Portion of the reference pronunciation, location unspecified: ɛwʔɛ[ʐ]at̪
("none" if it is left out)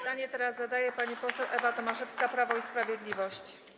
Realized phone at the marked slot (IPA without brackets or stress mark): v